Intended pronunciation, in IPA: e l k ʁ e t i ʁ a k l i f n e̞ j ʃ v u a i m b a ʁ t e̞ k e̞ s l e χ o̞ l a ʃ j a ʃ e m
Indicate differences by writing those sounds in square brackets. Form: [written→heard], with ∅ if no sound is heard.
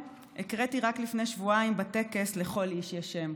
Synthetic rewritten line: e [l→∅] k ʁ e t i ʁ a k l i f n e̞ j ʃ v u a i m b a [ʁ→∅] t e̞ k e̞ s l e χ o̞ l [a→i] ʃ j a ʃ e m